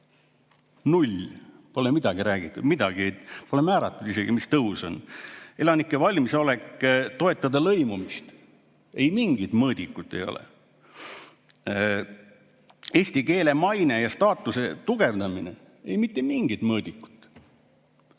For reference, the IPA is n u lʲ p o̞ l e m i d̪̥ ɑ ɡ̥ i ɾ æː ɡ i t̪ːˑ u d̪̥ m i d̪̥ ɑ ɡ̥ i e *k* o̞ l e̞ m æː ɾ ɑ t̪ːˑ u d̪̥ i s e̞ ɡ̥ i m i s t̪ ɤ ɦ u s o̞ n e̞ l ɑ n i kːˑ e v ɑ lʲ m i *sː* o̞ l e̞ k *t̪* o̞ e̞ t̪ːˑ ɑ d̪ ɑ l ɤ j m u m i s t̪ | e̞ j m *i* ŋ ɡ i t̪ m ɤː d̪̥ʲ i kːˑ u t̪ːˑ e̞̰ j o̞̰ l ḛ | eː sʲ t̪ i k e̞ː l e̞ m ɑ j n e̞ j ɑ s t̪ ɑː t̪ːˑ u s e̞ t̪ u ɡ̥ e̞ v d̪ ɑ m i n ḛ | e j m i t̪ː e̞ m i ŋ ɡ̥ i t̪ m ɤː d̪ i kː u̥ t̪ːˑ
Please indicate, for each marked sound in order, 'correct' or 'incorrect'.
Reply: incorrect: p, incorrect: s, correct, correct

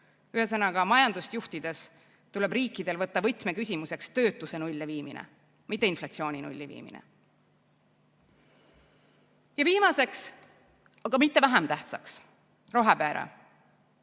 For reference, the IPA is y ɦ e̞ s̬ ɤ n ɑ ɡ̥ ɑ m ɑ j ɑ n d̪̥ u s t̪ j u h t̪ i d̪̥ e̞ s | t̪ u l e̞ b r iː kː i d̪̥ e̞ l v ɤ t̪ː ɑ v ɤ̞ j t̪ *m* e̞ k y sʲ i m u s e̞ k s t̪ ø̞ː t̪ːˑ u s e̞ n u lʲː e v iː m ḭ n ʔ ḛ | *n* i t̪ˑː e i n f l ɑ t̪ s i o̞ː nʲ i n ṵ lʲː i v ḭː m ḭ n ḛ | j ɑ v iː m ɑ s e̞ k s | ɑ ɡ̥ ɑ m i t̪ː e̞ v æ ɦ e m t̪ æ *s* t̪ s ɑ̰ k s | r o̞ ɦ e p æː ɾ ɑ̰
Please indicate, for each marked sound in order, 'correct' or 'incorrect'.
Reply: correct, incorrect: m, incorrect: h

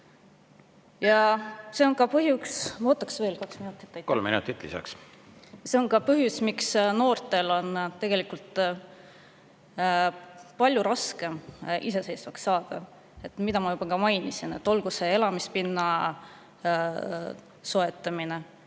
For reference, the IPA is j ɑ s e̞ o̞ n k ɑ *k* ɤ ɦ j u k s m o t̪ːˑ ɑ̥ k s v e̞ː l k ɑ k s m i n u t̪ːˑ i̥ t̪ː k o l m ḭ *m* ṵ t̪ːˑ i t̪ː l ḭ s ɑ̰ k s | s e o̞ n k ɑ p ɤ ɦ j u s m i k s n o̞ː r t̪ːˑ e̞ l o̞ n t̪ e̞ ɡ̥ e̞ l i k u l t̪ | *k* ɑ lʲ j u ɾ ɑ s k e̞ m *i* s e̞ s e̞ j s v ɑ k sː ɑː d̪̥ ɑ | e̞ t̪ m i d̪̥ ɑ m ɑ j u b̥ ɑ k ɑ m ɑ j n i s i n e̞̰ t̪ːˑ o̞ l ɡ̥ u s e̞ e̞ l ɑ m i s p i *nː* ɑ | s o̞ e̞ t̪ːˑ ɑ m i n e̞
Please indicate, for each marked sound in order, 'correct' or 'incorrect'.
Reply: incorrect: p, incorrect: n, incorrect: p, correct, correct

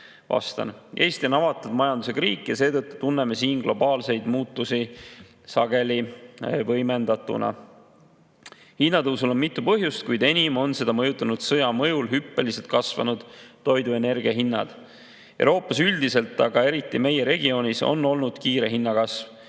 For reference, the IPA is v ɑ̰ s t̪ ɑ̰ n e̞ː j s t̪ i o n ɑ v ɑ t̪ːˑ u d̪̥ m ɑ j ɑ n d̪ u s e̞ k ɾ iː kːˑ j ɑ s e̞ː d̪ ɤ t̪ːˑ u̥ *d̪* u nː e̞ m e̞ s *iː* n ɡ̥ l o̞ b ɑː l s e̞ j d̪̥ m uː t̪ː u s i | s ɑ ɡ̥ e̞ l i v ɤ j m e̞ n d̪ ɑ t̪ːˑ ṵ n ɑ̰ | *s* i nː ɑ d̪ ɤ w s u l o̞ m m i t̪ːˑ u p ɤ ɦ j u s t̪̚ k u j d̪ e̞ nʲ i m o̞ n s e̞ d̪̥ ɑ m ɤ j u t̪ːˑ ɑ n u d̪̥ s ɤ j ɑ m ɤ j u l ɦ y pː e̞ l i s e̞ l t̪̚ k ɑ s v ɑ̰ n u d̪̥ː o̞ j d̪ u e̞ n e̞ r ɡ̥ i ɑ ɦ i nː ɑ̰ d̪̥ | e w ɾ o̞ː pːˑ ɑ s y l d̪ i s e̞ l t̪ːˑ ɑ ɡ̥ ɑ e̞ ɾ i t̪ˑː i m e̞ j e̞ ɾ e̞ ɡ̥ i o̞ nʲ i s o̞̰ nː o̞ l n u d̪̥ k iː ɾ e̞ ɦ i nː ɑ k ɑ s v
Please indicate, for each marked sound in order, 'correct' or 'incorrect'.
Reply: incorrect: t̪, correct, incorrect: h

